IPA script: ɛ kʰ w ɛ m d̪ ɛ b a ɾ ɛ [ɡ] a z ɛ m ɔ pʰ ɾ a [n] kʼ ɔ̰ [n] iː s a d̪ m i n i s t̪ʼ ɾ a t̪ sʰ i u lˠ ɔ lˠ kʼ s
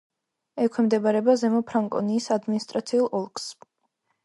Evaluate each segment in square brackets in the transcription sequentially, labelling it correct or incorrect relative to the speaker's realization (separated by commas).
incorrect, incorrect, correct